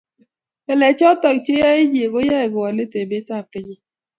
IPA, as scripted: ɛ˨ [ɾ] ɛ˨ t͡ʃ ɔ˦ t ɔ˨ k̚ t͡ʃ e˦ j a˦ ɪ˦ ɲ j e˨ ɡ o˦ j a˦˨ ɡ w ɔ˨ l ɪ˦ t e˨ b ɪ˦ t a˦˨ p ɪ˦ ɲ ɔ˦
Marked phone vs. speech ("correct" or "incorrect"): incorrect